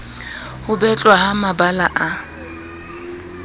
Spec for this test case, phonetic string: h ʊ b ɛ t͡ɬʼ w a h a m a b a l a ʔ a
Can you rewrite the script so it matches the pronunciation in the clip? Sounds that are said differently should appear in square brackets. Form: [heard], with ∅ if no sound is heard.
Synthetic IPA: h ʊ b ɛ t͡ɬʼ w a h a m a b a l a ʔ a